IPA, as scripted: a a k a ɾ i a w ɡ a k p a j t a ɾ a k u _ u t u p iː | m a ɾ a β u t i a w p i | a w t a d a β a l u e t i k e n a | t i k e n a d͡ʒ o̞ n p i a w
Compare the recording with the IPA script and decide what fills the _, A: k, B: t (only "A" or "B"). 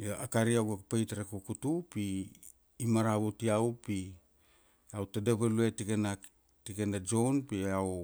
A